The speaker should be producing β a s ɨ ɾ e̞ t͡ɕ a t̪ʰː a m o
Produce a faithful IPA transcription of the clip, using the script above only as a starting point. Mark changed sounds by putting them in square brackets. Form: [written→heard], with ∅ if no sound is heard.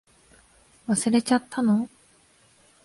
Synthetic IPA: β a s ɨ ɾ e̞ t͡ɕ a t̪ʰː a [m→n] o

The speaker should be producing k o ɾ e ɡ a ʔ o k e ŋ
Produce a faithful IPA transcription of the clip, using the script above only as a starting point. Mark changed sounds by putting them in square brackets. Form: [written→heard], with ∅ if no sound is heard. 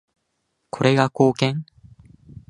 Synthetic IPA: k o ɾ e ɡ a [ʔ→k] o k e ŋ

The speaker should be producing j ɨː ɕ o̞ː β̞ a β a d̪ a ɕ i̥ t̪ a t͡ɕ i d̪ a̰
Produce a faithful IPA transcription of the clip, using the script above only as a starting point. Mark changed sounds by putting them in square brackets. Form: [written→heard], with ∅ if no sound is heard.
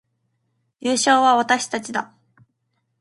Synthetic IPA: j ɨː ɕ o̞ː β̞ a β a [d̪→t̪] a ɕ i̥ t̪ a t͡ɕ i d̪ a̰

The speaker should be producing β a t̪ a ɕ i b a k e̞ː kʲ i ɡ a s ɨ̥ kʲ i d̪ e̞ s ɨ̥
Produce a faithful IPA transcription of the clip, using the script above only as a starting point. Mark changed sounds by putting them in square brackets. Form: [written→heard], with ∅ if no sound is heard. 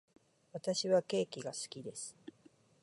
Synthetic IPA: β a t̪ a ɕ i [b→β] a k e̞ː kʲ i ɡ a s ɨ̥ kʲ i d̪ e̞ s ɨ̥

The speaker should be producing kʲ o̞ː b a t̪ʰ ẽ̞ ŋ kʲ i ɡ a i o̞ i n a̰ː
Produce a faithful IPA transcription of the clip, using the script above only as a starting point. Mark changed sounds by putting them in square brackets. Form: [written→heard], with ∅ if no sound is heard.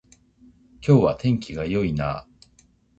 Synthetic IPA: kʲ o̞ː [b→β] a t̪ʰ ẽ̞ ŋ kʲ i ɡ a [i→j] o̞ i n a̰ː

